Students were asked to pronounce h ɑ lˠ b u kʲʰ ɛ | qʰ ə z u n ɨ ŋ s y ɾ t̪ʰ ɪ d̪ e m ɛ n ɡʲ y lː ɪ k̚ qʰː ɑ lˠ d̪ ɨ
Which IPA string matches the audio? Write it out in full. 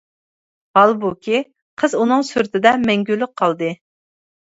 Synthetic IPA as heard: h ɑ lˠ b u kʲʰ i | qʰ ə z u n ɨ ŋ s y ɾ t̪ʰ ɪ d̪ ɛ m ɛ ŋ ɡʲ y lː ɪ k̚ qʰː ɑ lˠ d̪ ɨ